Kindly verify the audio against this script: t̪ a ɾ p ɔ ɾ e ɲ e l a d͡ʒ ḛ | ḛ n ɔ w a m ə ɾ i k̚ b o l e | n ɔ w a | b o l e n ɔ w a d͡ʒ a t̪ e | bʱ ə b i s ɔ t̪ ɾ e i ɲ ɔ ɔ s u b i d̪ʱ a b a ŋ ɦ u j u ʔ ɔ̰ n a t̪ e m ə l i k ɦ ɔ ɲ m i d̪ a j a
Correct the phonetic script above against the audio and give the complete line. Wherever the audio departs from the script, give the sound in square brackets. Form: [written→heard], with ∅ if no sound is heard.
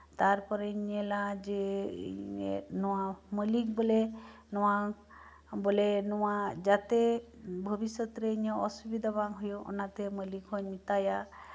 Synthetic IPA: t̪ a ɾ p ɔ ɾ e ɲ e l a d͡ʒ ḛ | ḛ n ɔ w a m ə [ɾ→l] i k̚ b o l e | n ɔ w a | b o l e n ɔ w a d͡ʒ a t̪ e | bʱ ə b i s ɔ t̪ ɾ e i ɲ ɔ ɔ s u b i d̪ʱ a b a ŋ ɦ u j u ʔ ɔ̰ n a t̪ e m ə l i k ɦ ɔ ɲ m i [d̪→t̪] a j a